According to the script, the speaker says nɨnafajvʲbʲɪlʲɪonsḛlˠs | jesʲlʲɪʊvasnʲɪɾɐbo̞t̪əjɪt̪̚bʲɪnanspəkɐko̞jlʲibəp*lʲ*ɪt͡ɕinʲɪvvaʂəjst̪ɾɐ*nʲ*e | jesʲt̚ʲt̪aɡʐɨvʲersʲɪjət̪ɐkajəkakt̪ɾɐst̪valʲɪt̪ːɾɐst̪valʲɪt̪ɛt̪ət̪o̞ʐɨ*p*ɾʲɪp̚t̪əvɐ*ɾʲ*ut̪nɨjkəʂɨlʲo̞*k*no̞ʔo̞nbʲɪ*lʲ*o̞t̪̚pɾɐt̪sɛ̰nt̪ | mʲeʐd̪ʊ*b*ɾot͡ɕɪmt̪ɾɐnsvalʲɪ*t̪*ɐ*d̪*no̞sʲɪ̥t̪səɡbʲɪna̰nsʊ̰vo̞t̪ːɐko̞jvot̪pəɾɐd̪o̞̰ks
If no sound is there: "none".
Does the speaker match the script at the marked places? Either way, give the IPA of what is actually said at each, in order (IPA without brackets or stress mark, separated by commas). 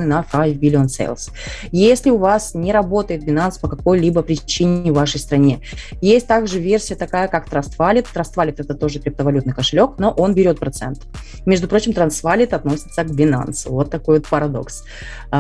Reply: ɾʲ, nʲ, k, lʲ, k, ɾʲ, p, t̪, t̪